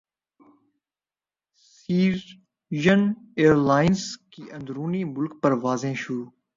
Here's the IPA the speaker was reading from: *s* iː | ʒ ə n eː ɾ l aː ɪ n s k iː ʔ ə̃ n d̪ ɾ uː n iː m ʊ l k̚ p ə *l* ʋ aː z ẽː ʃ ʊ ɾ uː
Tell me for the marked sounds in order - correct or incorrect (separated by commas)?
correct, incorrect